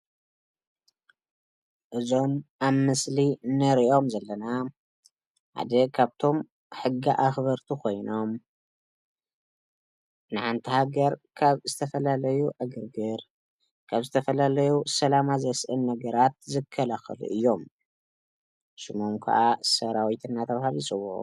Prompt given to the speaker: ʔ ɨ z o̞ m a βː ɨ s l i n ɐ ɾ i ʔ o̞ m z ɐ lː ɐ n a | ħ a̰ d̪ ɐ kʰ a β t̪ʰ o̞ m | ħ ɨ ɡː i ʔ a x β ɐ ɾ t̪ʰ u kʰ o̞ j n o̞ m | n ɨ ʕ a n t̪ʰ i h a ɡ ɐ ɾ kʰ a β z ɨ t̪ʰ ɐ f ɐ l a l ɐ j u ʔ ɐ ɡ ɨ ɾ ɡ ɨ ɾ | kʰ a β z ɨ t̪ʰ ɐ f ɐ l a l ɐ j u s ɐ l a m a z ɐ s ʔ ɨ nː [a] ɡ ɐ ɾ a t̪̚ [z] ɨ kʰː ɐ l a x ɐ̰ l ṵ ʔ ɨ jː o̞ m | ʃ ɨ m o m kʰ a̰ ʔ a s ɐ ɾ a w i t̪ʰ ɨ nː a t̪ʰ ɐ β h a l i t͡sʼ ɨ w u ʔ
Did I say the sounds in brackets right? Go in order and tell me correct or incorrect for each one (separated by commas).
incorrect, correct